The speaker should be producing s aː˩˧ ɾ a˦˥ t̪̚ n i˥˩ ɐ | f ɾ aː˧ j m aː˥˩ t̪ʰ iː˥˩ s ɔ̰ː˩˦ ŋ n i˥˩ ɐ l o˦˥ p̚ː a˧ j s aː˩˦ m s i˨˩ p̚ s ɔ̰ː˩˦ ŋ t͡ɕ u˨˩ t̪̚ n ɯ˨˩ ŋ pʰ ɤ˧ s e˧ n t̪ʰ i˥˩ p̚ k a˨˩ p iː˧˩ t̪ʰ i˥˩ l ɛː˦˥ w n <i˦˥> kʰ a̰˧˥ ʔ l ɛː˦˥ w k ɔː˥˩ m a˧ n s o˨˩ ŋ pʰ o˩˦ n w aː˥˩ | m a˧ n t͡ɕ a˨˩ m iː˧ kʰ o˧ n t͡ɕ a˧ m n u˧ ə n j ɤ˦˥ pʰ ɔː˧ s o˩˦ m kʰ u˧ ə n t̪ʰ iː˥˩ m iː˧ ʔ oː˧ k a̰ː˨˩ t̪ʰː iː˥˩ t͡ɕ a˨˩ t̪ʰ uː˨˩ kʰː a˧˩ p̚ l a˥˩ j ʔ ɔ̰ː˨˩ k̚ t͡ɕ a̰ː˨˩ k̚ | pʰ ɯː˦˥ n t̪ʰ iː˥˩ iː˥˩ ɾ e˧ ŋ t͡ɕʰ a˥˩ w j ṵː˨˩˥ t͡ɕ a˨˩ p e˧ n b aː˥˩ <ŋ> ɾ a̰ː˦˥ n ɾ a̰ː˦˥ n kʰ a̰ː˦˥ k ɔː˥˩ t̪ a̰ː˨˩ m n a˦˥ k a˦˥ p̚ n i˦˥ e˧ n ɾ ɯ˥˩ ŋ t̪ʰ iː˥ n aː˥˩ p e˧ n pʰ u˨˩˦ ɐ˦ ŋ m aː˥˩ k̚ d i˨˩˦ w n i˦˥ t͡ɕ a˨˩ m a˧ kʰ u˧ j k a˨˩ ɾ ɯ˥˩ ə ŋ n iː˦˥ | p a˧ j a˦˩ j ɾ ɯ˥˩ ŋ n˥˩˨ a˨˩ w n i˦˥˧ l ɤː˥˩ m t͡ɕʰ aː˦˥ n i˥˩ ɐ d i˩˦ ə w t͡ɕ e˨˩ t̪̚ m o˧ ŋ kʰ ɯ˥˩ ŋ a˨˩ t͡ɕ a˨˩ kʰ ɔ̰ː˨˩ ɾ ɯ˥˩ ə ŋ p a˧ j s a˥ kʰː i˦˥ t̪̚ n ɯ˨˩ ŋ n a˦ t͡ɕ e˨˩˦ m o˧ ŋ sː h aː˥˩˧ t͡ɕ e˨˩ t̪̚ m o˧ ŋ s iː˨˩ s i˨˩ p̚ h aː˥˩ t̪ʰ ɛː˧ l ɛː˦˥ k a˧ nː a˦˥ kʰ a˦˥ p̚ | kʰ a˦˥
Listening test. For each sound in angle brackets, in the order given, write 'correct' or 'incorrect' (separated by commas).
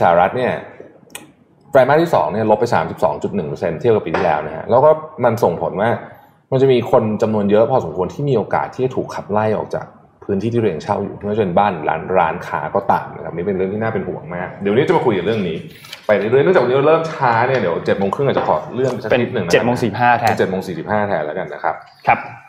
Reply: incorrect, incorrect